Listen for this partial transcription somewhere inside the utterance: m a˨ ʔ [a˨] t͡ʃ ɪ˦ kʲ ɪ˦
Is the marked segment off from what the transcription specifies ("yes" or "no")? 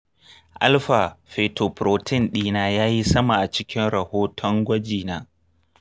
no